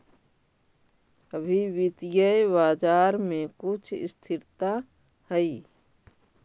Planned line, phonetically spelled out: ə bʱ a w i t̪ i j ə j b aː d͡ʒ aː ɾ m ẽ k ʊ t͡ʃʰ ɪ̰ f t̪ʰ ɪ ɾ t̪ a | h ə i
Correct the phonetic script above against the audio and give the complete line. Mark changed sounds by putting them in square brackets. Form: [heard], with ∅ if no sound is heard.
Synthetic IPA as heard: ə bʱ [i] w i t̪ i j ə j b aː d͡ʒ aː ɾ m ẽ k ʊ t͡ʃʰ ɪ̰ [s] t̪ʰ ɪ ɾ t̪ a | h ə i